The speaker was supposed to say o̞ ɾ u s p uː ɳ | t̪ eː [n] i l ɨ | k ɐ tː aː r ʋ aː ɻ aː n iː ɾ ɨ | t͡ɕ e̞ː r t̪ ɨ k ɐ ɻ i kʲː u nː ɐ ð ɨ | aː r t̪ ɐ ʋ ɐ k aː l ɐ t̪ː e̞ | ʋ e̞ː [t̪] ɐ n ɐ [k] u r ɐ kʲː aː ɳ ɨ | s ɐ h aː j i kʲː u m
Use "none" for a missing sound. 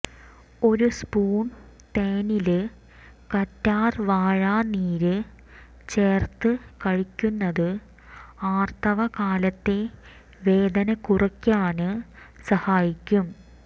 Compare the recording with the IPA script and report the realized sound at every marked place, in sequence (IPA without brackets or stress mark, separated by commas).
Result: n, d̪, k